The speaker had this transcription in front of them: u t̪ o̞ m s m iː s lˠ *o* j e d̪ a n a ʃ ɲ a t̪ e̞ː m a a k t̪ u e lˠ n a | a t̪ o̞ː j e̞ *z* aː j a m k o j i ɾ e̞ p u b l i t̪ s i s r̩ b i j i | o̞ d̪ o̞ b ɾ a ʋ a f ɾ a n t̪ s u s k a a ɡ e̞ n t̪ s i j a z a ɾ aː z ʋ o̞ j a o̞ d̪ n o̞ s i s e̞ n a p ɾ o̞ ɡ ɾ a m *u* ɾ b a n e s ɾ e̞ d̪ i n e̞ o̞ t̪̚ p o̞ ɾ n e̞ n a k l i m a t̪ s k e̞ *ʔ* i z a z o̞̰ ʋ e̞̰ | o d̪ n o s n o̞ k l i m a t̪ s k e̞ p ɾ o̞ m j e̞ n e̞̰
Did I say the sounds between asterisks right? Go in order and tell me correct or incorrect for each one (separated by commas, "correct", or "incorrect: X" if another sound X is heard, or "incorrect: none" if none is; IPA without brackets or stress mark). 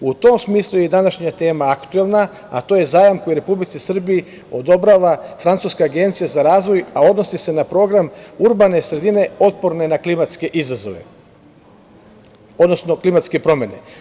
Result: incorrect: u, correct, correct, correct